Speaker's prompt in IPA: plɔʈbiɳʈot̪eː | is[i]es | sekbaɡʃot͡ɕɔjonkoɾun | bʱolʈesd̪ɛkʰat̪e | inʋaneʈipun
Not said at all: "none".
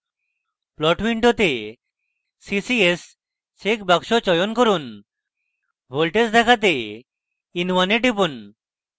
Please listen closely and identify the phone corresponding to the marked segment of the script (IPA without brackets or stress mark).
i